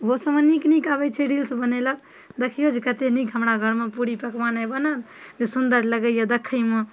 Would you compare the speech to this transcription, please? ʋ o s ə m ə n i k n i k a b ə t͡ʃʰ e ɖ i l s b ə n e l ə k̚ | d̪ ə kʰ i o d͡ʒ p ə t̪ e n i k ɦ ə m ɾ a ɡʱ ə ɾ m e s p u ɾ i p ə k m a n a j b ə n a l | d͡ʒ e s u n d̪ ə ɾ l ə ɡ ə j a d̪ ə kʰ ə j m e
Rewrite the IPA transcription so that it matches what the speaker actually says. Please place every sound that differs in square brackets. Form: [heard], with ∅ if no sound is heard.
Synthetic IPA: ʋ o s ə m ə n i k n i k a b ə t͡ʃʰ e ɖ i l s b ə n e l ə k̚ | d̪ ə kʰ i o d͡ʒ [k] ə t̪ e n i k ɦ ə m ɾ a ɡʱ ə ɾ m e [∅] p u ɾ i p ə k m a n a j b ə n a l | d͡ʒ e s u n d̪ ə ɾ l ə ɡ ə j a d̪ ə kʰ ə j m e